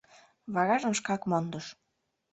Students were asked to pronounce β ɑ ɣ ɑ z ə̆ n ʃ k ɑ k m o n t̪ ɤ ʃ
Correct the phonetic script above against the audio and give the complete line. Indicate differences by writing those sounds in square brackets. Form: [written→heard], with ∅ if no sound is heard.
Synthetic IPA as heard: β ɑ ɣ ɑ [z→ʒ] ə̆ [n→m] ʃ k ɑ k m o n [t̪→d̪] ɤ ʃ